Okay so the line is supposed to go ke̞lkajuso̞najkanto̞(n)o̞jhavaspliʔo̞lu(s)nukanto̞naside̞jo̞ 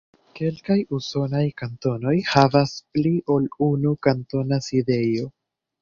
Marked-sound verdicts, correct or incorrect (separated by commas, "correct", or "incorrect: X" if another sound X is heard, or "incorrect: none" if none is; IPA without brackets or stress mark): correct, incorrect: none